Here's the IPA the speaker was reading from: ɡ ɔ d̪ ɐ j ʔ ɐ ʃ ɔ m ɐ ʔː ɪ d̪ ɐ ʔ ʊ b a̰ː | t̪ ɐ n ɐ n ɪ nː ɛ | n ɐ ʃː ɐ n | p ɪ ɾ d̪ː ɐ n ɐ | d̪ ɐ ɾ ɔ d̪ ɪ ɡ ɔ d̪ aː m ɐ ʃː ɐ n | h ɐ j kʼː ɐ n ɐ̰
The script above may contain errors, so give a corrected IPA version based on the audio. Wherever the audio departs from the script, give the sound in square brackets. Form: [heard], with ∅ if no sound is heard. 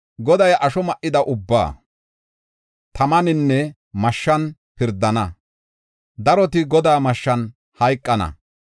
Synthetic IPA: ɡ ɔ d̪ ɐ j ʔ ɐ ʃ ɔ m ɐ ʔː ɪ d̪ ɐ ʔ ʊ [bː] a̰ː | t̪ ɐ [m] ɐ n ɪ nː ɛ | [m] ɐ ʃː ɐ n | p ɪ ɾ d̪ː ɐ n ɐ | d̪ ɐ ɾ ɔ [t̪] ɪ ɡ ɔ d̪ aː m ɐ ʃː ɐ n | h ɐ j kʼː ɐ n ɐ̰